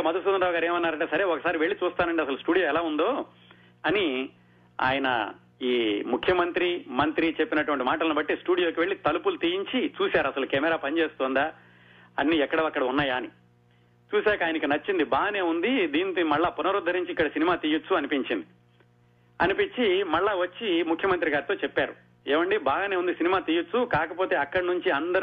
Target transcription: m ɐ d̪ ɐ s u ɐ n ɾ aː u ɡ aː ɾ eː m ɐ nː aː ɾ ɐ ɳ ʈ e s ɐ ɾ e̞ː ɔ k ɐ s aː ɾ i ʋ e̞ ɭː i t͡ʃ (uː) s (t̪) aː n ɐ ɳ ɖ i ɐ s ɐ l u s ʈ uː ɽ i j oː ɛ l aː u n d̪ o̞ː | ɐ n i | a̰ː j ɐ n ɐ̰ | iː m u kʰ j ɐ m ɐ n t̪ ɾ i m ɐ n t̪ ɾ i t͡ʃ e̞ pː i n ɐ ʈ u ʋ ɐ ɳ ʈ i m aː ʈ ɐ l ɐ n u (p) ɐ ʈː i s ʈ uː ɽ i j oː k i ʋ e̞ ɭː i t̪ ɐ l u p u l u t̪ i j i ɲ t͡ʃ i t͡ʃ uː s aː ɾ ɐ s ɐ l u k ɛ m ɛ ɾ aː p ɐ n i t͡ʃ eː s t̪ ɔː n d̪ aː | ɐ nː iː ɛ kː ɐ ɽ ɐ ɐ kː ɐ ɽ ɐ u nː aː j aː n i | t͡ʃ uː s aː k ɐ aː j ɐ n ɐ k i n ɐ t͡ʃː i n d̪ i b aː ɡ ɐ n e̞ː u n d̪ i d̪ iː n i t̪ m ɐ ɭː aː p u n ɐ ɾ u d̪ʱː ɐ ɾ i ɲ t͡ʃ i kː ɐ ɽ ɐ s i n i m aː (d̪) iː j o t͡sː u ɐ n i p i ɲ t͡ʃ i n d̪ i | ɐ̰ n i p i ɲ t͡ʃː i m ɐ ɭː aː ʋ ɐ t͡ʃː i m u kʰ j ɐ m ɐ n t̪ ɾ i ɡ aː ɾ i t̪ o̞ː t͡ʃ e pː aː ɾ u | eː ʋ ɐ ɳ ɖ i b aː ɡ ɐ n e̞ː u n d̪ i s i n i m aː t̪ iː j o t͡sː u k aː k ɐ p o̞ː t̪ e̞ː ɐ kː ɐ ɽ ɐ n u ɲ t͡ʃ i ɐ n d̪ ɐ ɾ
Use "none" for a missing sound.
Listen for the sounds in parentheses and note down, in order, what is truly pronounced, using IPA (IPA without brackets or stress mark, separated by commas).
uː, t̪, b, t̪